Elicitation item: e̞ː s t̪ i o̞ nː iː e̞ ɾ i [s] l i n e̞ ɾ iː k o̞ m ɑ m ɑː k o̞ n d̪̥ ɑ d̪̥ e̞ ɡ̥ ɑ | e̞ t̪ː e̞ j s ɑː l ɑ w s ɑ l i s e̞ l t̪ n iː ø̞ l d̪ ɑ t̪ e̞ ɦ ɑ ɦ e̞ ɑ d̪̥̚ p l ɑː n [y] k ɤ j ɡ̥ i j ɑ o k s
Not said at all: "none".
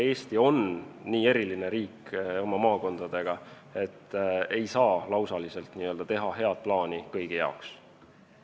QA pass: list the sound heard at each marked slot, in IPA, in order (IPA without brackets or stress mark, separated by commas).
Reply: none, i